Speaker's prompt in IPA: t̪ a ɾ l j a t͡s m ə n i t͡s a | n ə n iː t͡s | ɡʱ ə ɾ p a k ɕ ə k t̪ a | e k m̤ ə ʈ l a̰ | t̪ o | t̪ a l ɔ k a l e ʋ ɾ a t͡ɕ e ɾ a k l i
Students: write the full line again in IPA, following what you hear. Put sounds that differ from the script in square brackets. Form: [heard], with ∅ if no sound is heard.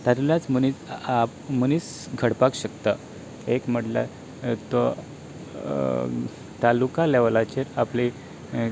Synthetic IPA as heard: t̪ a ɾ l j a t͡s m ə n i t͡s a | [m] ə n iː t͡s | ɡʱ ə [ɽ] p a k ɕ ə k t̪ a | e k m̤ ə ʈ l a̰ | t̪ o | t̪ a l [u] k a l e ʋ [l] a t͡ɕ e ɾ a [p] l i